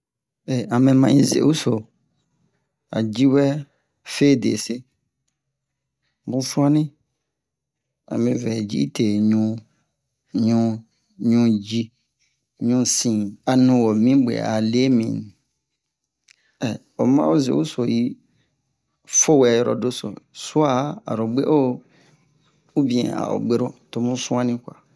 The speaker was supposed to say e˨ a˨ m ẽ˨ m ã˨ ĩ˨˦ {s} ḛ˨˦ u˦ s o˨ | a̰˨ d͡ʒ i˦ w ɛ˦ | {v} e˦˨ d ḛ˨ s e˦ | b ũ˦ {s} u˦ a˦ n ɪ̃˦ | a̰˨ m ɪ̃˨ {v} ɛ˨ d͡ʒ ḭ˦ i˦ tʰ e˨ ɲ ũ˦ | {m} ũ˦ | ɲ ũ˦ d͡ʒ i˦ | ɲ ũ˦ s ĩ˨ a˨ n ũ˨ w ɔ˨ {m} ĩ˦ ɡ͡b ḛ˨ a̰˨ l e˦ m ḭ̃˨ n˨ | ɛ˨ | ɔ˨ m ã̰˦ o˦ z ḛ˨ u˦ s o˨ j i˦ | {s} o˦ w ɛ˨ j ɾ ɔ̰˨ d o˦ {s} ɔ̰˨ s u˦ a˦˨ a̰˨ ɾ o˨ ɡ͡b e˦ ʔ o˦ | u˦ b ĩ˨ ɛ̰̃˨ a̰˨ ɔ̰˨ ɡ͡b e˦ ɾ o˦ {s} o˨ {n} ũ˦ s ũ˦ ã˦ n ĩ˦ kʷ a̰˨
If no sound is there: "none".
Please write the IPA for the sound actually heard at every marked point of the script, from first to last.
z, f, f, v, ɲ, m, f, s, t, m

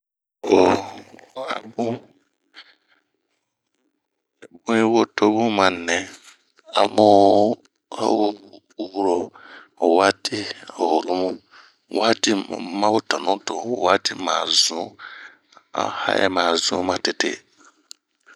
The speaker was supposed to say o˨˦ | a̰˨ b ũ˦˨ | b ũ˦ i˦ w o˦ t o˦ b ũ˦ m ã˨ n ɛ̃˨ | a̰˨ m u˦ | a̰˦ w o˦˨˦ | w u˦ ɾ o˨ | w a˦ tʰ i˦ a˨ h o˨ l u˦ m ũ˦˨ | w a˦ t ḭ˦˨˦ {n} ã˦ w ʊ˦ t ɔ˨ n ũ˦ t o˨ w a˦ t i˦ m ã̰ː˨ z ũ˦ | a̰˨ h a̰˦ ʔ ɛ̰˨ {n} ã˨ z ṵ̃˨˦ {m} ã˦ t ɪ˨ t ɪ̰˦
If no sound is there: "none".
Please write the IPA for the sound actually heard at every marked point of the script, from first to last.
m, m, m

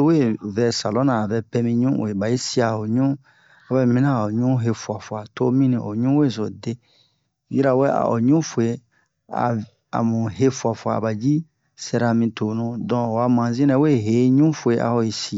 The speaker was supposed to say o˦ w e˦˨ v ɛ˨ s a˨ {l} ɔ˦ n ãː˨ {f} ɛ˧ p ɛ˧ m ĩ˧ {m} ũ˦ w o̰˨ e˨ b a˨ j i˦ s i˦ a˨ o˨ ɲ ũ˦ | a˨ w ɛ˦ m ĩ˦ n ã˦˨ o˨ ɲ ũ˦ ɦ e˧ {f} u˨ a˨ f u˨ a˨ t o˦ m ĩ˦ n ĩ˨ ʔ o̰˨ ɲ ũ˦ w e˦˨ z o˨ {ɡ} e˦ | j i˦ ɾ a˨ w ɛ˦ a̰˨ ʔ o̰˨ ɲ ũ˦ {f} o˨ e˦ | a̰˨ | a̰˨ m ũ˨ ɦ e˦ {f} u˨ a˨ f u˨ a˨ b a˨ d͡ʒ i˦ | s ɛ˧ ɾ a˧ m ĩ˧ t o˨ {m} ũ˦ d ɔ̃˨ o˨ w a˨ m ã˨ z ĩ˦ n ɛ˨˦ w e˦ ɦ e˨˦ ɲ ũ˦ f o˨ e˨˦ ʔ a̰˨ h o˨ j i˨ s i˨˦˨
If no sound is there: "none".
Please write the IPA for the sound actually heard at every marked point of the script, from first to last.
l, v, ɲ, f, d, f, f, n

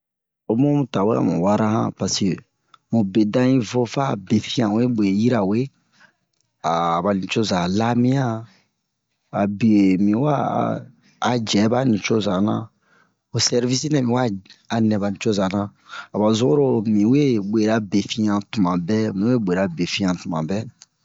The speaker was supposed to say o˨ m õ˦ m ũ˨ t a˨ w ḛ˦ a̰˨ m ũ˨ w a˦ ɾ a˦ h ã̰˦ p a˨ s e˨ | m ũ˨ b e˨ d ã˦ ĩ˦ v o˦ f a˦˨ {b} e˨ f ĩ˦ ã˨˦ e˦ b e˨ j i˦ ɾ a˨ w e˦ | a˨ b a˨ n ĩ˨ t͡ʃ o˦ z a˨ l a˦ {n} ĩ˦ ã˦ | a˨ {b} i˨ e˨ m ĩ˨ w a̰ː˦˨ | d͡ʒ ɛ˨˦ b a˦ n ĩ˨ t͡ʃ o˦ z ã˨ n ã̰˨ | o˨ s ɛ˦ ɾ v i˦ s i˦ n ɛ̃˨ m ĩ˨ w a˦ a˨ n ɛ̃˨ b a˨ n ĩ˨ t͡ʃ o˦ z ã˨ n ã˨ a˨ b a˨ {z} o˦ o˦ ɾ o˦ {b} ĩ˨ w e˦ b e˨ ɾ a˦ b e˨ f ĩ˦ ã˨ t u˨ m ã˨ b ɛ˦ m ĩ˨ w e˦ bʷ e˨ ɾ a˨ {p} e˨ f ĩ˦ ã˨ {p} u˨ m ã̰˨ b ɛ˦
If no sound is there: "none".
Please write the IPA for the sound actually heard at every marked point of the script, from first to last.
b, m, b, z, m, b, t

